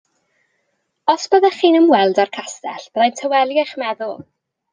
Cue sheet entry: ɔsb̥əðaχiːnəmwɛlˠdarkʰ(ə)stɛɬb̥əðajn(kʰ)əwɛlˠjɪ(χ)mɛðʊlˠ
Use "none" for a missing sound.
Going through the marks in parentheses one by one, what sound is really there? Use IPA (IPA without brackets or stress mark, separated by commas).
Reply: a, tʰ, χ